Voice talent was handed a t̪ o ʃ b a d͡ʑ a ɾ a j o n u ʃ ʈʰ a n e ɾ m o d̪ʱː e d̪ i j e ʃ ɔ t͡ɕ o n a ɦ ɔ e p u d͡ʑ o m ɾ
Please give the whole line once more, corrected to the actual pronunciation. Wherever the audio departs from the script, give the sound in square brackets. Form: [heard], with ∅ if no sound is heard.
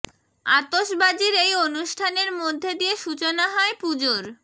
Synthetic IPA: a t̪ o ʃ b a d͡ʑ [i] ɾ [e] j o n u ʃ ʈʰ a n e ɾ m o d̪ʱː e d̪ i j e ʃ [u] t͡ɕ o n a ɦ ɔ e p u d͡ʑ o [∅] ɾ